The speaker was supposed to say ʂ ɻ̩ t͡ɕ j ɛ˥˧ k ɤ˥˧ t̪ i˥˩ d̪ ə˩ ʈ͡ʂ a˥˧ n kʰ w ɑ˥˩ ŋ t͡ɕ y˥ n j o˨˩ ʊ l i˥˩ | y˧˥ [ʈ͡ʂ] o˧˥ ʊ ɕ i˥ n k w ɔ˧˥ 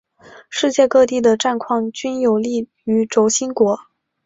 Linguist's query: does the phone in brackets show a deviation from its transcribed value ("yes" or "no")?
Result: no